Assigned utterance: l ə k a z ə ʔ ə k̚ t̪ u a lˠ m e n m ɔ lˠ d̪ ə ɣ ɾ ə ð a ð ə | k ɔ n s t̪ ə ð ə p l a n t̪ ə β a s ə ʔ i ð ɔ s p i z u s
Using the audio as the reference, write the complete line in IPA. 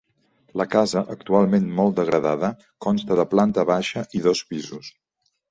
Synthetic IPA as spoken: l ə k a z ə ʔ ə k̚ t̪ u a lˠ m e n m ɔ lˠ d̪ ə ɣ ɾ ə ð a ð ə | k ɔ n s t̪ ə ð ə p l a n t̪ ə β a ʃ ə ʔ i ð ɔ s p i z u s